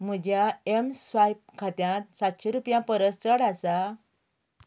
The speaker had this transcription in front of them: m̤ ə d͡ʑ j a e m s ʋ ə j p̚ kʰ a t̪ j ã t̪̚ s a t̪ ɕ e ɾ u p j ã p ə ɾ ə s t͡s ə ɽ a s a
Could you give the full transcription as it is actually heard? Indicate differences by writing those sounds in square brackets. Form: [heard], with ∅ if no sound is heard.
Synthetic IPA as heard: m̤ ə d͡ʑ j a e m s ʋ [a] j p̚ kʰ a t̪ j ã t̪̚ s a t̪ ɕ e ɾ u p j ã p ə ɾ ə s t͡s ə ɽ a s a

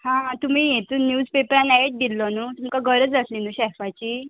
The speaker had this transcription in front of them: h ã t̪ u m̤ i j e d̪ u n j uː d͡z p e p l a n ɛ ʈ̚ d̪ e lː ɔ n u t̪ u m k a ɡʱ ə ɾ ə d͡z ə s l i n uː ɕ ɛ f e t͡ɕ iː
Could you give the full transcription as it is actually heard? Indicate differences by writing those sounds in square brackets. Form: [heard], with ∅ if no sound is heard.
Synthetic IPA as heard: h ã t̪ u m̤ i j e [t̪] u n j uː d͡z p e p [ɾ] a n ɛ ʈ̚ d̪ [i] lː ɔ n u t̪ u m k a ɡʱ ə ɾ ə d͡z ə s l i n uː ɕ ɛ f [a] t͡ɕ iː

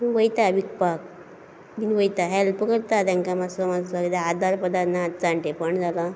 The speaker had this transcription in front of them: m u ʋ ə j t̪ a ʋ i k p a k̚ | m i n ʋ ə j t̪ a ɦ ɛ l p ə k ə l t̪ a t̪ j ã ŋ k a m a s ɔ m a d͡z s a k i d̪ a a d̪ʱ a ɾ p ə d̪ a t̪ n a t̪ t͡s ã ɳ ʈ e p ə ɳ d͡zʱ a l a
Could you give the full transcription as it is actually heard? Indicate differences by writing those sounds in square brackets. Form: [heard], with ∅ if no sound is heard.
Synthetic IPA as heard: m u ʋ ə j t̪ a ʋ i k p a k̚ | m i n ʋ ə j t̪ a ɦ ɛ l p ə k ə [ɾ] t̪ a t̪ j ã ŋ k a m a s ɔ m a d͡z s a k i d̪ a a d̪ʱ a ɾ p ə d̪ a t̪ n a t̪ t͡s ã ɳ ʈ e p ə ɳ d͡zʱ a l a

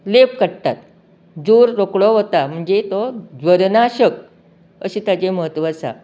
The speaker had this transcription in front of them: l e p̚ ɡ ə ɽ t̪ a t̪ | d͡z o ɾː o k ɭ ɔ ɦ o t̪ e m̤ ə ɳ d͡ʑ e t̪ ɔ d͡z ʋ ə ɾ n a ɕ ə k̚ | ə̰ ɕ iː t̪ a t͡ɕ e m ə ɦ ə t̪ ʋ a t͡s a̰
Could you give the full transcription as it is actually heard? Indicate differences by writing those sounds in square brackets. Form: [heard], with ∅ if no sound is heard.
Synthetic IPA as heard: l e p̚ [k] ə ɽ t̪ a t̪ | d͡z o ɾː o k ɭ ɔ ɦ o t̪ [a] m̤ ə ɳ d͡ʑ e t̪ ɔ d͡z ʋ ə ɾ n a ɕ ə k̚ | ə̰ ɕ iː t̪ a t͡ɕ e m ə ɦ ə t̪ ʋ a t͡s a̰

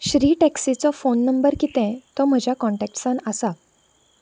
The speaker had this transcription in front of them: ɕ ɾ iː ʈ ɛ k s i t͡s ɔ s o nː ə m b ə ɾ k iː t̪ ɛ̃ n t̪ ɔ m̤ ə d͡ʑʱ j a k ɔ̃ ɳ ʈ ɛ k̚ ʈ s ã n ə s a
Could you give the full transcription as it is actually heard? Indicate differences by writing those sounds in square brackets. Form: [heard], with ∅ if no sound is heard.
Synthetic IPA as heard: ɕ ɾ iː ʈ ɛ k s i t͡s ɔ [f] o nː ə m b ə ɾ k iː t̪ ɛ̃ [∅] t̪ ɔ m̤ ə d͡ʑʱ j a k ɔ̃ ɳ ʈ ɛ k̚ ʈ s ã n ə s a

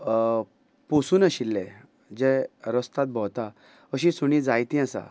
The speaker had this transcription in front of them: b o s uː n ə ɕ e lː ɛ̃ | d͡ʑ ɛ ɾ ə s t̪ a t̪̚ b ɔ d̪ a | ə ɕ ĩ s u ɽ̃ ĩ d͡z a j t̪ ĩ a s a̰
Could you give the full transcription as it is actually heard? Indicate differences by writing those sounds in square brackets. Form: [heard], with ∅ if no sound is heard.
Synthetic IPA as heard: [p] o s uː n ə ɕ [i] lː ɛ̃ | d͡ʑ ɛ ɾ ə s t̪ a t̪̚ b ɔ [t̪] a | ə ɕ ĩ s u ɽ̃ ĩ d͡z a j t̪ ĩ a s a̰

